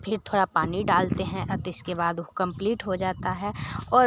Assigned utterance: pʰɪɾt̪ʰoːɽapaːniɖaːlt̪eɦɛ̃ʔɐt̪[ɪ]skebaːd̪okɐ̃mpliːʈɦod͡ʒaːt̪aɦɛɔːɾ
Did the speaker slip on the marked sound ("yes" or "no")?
no